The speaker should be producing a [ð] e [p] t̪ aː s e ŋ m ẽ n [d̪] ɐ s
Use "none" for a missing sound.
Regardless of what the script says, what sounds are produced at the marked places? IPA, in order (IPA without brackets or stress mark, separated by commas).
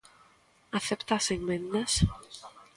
θ, p, d̪